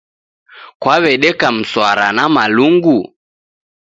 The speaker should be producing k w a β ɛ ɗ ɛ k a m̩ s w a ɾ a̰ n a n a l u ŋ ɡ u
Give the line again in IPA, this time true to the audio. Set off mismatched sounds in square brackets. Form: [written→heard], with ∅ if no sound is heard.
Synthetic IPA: k w a β ɛ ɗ ɛ k a m̩ s w a ɾ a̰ n a [n→m] a l u ŋ ɡ u